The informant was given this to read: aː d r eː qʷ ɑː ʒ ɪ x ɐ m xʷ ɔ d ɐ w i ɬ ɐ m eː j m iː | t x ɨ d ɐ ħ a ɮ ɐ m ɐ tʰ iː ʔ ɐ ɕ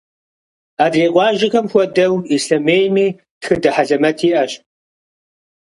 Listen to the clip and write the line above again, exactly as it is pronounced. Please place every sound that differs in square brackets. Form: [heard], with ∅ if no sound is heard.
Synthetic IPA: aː d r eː qʷ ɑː ʒ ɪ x ɐ m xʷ ɔ d ɐ w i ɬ ɐ m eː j m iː | t x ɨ d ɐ ħ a ɮ ɐ m ɐ tʰ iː ʔ ɐ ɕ